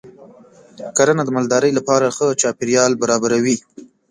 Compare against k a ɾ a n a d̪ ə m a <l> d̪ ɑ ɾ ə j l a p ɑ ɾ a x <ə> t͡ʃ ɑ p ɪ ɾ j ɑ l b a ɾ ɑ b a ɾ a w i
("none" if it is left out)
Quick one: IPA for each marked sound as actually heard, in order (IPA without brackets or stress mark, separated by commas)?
l, ə